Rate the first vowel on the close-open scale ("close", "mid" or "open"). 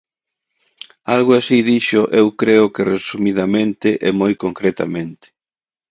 open